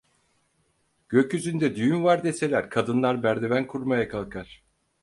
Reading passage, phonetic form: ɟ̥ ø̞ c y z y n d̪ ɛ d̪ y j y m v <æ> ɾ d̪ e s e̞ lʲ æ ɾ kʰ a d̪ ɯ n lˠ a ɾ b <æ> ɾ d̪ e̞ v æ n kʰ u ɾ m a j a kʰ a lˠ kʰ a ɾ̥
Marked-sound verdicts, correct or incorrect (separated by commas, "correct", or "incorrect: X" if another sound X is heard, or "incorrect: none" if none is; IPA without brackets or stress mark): incorrect: a, correct